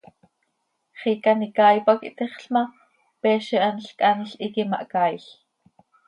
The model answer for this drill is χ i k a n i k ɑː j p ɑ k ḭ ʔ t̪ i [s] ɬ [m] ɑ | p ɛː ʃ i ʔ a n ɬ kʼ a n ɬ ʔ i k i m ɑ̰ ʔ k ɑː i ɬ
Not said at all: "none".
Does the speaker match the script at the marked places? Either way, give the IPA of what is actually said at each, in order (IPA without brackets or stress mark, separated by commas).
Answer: χ, m